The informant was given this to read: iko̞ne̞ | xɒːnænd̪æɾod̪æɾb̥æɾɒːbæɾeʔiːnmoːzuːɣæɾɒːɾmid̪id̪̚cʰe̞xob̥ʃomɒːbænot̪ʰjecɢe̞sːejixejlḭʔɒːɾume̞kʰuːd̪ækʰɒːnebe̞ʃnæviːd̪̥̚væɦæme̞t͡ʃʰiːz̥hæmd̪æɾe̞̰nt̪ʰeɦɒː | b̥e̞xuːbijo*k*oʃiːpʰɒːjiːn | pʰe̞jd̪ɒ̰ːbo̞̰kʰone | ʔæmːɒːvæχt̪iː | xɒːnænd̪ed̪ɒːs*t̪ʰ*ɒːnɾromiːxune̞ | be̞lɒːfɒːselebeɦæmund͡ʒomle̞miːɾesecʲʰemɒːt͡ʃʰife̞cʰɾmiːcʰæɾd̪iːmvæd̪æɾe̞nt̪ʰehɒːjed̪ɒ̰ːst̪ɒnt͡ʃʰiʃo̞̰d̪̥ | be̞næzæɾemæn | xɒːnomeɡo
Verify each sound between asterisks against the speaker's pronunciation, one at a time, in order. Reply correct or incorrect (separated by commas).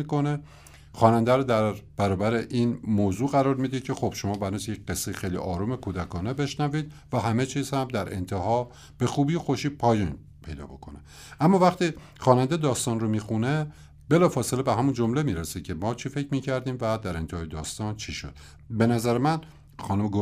incorrect, incorrect